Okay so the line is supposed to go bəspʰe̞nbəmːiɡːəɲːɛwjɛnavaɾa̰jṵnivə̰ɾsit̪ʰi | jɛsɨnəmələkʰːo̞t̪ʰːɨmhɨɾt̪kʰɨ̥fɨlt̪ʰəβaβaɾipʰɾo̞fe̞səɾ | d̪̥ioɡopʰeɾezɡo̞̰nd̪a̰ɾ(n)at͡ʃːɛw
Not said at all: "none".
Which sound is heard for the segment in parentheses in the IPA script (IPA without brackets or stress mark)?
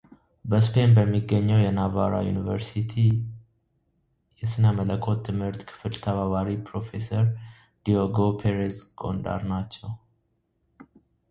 n